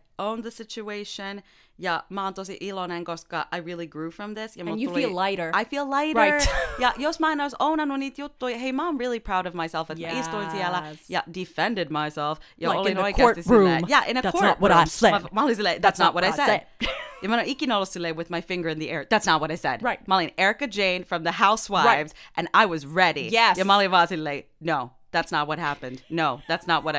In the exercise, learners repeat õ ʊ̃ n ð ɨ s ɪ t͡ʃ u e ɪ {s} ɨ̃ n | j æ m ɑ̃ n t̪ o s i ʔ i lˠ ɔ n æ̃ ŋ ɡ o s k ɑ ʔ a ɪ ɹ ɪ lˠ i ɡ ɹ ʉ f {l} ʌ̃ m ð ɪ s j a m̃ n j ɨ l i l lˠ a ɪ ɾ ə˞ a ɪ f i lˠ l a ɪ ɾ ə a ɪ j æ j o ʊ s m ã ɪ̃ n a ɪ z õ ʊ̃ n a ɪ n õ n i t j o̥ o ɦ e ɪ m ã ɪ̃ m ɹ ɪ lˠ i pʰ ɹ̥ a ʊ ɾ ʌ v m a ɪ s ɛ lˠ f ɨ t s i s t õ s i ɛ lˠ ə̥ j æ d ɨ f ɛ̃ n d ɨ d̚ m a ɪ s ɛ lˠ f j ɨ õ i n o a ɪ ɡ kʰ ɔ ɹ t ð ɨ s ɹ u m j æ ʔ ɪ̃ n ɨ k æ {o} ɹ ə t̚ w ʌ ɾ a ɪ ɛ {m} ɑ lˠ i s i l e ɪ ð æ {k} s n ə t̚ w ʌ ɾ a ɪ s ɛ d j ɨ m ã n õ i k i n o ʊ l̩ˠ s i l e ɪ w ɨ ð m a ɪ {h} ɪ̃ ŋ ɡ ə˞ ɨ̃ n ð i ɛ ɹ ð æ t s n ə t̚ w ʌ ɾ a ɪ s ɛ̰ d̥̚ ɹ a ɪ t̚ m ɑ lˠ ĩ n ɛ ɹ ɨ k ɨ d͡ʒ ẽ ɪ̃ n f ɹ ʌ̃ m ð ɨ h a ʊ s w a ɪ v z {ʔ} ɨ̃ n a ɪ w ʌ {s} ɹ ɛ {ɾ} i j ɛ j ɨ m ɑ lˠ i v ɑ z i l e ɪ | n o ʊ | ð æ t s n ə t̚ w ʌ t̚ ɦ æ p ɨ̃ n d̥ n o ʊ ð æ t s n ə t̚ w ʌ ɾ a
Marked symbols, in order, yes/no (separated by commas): no, no, no, yes, no, no, yes, no, yes